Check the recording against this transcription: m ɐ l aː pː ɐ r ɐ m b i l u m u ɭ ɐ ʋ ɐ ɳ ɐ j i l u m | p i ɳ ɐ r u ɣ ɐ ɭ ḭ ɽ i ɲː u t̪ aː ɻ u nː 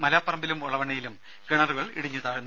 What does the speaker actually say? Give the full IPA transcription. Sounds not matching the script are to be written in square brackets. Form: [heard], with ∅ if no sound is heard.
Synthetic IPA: m ɐ l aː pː ɐ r ɐ m b i l u m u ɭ ɐ ʋ ɐ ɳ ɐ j i l u m | [k] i ɳ ɐ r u ɣ ɐ ɭ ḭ ɽ i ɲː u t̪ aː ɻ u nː

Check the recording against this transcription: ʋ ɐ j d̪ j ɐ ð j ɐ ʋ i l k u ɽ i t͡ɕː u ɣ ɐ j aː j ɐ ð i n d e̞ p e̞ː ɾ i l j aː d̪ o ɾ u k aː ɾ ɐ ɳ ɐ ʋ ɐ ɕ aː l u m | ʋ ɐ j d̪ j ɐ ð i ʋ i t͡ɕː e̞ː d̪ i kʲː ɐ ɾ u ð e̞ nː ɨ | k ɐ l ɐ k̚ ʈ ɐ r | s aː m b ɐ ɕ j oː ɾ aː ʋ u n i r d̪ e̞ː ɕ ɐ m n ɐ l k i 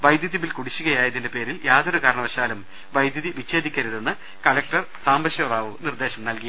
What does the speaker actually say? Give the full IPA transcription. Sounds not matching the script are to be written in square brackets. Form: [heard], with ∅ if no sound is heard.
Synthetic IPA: ʋ ɐ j d̪ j ɐ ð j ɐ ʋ i l k u ɽ i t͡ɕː u ɣ ɐ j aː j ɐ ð i n d e̞ p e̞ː ɾ i l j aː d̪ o ɾ u k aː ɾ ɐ ɳ ɐ ʋ ɐ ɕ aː l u m | ʋ ɐ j d̪ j ɐ ð i ʋ i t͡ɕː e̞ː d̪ i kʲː ɐ ɾ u ð e̞ nː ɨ | k ɐ l ɐ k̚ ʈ ɐ r | s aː m b ɐ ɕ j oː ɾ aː ʋ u n i r d̪ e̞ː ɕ ɐ m n ɐ l k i

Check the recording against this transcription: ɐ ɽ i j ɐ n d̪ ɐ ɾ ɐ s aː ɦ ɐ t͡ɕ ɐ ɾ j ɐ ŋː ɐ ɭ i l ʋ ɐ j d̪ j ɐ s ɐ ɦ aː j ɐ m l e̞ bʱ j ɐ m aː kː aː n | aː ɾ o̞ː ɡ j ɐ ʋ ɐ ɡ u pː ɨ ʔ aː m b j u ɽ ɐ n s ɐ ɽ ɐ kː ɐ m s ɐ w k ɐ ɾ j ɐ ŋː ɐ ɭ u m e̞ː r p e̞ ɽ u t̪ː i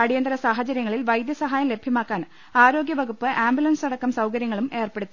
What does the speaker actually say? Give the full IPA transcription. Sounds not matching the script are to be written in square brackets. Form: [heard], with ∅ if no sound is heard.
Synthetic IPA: ɐ ɽ i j ɐ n d̪ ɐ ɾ ɐ s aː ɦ ɐ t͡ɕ ɐ ɾ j ɐ ŋː ɐ ɭ i l ʋ ɐ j d̪ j ɐ s ɐ ɦ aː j ɐ m l e̞ bʱ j ɐ m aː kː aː n | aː ɾ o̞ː ɡ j ɐ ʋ ɐ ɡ u pː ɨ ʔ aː m b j u [l] ɐ n s ɐ ɽ ɐ kː ɐ m s ɐ w k ɐ ɾ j ɐ ŋː ɐ ɭ u m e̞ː r p e̞ ɽ u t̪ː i

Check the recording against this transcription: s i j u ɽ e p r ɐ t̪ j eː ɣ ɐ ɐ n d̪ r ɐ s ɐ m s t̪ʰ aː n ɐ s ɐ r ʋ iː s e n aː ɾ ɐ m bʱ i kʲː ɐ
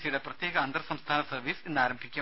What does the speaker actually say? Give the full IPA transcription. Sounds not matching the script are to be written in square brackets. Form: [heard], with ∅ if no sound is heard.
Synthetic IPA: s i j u ɽ e p r ɐ t̪ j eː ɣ ɐ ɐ n d̪ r ɐ s ɐ m s t̪ʰ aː n ɐ s ɐ r ʋ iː s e [nː] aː ɾ ɐ m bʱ i kʲː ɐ

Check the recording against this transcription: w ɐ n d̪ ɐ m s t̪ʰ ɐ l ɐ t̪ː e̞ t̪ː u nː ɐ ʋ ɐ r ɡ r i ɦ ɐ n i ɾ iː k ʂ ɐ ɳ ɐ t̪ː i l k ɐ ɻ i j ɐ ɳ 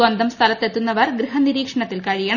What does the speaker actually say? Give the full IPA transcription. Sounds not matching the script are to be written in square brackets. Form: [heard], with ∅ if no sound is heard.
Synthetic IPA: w ɐ n d̪ ɐ m s t̪ʰ ɐ l ɐ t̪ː e̞ t̪ː u nː ɐ ʋ ɐ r ɡ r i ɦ ɐ n i ɾ iː k ʂ ɐ ɳ ɐ t̪ː i l k ɐ ɻ i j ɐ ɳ

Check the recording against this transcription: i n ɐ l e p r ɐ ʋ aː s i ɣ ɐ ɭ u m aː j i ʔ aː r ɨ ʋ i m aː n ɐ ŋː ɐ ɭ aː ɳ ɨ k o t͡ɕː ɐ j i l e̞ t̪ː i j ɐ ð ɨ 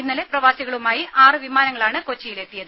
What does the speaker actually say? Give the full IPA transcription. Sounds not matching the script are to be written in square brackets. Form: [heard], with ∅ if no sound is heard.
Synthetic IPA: i [nː] ɐ l e p r ɐ ʋ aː s i ɣ ɐ ɭ u m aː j i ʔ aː r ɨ ʋ i m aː n ɐ ŋː ɐ ɭ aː ɳ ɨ k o t͡ɕː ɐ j i l e̞ t̪ː i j ɐ ð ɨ

